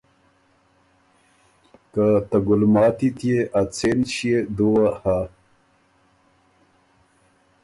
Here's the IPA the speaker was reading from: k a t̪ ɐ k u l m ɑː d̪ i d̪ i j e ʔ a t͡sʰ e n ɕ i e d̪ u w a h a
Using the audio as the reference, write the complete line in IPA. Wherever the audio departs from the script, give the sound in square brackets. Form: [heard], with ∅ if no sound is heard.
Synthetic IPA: k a t̪ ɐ [ɡ] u l m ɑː [t̪] i [t̪] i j e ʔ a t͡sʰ e n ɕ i e d̪ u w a h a

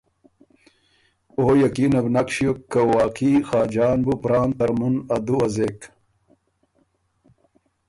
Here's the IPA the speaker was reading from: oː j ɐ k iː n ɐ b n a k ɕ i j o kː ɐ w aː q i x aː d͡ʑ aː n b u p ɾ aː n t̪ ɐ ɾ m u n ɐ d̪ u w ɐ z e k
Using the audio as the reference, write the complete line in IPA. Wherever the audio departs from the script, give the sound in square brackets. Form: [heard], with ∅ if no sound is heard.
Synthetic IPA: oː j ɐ k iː n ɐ b n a k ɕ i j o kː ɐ w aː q i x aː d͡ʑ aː n b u p ɾ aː n t̪ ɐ ɾ m u n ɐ d̪ u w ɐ z e k

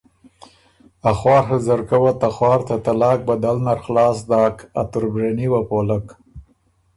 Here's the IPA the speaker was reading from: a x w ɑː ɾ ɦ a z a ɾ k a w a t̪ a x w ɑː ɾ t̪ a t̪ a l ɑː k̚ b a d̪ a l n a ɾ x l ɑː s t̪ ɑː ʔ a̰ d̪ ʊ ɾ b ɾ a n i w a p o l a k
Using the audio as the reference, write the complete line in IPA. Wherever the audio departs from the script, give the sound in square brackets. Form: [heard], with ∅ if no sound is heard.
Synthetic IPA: a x w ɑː ɾ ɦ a z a ɾ k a w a t̪ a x w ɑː ɾ t̪ a t̪ a l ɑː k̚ b a d̪ a l n a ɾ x l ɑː s [d̪] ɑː [k] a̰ [t̪] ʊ ɾ b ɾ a n i w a p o l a k

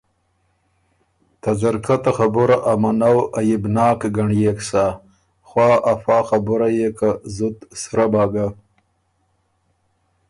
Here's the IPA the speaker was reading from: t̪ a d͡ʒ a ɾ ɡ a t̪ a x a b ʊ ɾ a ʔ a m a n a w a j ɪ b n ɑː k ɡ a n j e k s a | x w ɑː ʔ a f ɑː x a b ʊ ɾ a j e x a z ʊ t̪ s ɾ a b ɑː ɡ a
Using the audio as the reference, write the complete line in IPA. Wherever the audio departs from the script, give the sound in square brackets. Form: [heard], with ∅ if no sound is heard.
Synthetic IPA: t̪ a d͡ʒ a ɾ [k] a t̪ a x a b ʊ ɾ a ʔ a m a n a w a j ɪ b n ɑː k ɡ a [ɳ] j e k s a | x w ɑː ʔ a f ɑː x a b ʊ ɾ a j e [k] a z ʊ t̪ s ɾ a b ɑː ɡ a

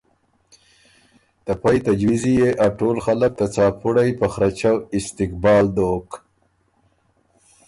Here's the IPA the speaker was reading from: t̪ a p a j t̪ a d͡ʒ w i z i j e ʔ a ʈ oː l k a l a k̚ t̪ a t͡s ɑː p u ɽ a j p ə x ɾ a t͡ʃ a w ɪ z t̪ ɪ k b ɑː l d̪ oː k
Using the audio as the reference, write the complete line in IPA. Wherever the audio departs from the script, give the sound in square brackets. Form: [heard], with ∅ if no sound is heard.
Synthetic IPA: t̪ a p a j t̪ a d͡ʒ w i z i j e ʔ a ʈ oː l [x] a l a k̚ t̪ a t͡s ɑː p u ɽ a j p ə x ɾ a t͡ʃ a w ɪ [s] t̪ ɪ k b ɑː l d̪ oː k

